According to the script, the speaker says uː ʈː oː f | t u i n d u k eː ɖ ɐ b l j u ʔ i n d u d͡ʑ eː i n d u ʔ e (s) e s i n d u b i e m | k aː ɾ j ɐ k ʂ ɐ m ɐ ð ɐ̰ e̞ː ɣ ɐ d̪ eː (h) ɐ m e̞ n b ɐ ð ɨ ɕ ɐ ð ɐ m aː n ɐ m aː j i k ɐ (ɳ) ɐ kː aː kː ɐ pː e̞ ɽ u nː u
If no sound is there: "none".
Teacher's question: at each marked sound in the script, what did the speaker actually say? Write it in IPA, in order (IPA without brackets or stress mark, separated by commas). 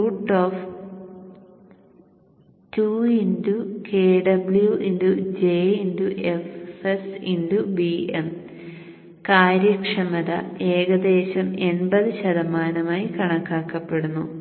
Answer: f, ɕ, ɳ